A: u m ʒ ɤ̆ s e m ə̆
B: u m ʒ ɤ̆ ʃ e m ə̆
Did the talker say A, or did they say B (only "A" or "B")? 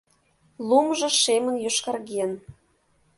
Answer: B